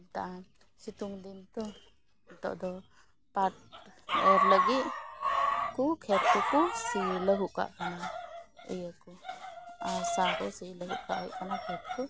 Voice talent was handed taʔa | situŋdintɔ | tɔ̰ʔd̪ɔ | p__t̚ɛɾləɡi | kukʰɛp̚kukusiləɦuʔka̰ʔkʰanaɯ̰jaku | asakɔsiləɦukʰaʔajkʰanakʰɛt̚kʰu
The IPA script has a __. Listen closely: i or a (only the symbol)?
a